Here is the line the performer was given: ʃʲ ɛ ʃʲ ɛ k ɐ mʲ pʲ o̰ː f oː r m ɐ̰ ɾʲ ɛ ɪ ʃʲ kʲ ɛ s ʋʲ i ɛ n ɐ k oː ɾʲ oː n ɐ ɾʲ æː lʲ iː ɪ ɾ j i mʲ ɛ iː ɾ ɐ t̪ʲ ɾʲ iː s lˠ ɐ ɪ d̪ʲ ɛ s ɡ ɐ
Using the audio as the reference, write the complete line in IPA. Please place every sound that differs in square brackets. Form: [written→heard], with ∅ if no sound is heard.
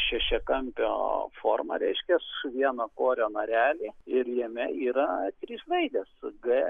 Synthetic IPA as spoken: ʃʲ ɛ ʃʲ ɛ k ɐ mʲ pʲ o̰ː f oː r m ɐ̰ ɾʲ ɛ ɪ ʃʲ kʲ ɛ s ʋʲ i ɛ n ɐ k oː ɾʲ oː n ɐ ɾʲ æː lʲ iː ɪ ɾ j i mʲ ɛ iː ɾ ɐ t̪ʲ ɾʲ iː s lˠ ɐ ɪ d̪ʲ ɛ s ɡ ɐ